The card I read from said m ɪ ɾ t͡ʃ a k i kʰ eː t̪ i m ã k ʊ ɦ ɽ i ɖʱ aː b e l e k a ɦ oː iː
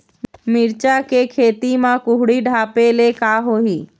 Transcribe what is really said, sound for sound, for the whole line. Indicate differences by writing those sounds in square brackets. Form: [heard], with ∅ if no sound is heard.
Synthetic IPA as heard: m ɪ ɾ t͡ʃ a k [e] kʰ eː t̪ i m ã k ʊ ɦ ɽ i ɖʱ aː [p] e l e k a ɦ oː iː